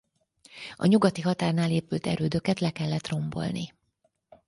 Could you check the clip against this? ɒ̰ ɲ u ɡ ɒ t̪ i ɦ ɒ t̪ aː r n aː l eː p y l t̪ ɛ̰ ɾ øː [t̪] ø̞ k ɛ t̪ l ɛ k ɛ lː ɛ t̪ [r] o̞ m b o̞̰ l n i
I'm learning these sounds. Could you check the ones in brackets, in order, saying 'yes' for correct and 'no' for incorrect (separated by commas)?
no, yes